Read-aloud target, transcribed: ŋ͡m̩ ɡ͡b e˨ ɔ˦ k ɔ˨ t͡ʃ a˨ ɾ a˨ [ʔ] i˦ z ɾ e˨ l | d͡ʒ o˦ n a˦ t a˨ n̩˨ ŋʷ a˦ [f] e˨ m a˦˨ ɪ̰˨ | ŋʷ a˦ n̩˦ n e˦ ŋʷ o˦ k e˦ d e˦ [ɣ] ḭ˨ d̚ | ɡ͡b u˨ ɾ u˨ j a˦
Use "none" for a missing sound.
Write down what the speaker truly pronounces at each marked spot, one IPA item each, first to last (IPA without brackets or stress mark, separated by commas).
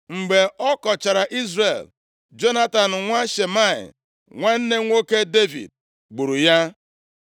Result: ʔ, ʃ, v